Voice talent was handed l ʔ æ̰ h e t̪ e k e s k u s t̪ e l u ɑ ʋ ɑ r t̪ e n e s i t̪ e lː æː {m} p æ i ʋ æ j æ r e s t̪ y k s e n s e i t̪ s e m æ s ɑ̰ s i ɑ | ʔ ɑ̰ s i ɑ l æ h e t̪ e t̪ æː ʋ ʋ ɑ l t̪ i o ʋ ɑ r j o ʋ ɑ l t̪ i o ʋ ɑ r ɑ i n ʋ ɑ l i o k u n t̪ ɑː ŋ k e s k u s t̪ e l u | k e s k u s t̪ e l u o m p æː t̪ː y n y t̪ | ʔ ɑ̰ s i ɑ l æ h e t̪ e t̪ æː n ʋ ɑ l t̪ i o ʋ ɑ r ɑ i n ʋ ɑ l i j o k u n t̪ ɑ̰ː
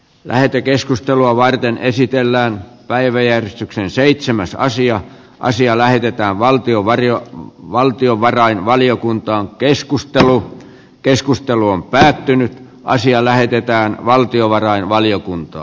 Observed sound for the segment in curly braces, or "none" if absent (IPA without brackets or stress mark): n